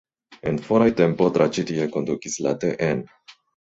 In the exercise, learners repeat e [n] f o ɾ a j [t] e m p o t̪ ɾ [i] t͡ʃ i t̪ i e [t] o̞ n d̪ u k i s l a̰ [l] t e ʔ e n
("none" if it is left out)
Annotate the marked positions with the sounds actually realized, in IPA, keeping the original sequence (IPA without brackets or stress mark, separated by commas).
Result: n, t, a, k, none